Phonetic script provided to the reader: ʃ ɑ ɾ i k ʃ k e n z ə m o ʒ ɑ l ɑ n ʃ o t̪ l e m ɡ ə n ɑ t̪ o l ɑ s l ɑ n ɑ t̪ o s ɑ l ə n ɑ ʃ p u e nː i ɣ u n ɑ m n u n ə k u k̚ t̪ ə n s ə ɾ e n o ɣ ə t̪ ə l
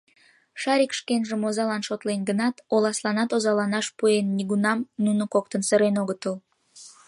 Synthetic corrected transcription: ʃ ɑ ɾ i k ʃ k e n ʒ ə m o z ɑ l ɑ n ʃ o t̪ l e n ɡ ə n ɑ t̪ o l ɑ s l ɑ n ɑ t̪ o z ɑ l ɑ n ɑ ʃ p u e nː i ɣ u n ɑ m n u n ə k o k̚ t̪ ə n s ə ɾ e n o ɣ ə t̪ ə l